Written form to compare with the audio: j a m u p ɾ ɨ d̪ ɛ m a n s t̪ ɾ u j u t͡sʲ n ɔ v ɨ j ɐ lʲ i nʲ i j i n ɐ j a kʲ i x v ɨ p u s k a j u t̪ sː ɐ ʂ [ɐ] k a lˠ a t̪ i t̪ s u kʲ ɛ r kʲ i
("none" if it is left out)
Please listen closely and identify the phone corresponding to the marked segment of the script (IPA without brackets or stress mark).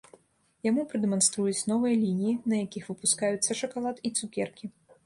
ɐ